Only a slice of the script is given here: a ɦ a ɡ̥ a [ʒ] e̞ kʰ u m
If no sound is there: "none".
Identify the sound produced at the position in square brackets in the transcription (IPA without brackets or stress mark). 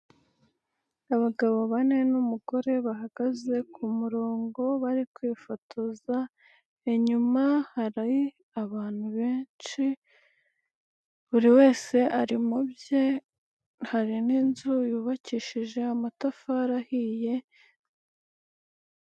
z